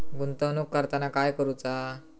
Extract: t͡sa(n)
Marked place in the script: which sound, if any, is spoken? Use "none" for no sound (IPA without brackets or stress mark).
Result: none